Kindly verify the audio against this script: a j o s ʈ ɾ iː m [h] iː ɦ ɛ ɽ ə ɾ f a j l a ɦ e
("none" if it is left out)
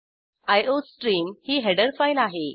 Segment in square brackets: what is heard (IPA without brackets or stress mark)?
h